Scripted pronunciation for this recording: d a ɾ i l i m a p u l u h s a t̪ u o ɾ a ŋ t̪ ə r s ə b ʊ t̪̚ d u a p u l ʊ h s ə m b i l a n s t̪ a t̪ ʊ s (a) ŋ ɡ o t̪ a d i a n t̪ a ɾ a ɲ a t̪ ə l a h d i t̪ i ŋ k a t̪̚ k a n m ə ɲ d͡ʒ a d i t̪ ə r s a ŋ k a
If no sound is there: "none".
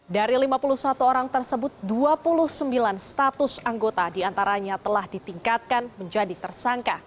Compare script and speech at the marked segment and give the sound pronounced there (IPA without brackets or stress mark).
a